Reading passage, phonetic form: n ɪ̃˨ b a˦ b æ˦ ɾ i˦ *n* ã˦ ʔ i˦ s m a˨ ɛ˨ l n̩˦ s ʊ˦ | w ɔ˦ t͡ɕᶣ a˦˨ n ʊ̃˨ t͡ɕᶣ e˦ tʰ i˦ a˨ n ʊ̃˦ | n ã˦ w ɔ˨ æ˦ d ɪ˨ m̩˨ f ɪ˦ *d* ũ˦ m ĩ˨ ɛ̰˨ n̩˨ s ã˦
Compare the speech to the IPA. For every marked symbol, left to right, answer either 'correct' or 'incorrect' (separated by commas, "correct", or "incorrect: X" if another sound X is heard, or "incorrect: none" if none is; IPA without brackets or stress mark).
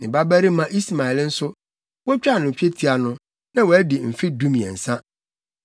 incorrect: m, correct